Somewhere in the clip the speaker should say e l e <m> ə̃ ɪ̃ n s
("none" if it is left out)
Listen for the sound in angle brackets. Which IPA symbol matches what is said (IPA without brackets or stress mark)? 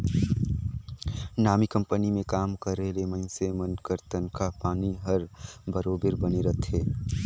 m